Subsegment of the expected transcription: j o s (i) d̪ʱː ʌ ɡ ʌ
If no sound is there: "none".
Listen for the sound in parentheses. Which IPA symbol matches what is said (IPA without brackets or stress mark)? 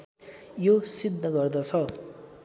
i